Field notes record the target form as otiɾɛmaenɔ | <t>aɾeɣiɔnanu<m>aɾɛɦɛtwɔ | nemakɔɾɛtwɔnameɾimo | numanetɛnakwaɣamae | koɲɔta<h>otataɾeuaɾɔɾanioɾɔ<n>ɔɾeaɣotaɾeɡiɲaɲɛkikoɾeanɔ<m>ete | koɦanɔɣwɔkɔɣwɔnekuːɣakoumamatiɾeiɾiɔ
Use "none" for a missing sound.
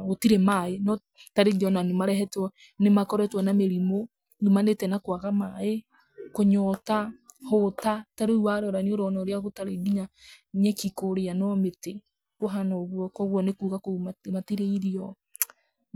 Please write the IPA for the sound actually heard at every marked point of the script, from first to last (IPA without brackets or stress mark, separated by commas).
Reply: t, m, h, n, m